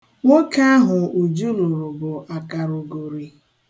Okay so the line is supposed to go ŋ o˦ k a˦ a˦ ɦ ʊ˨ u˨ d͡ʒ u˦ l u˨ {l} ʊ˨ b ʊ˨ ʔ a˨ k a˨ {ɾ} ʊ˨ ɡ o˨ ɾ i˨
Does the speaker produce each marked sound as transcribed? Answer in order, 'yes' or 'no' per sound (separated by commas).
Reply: no, yes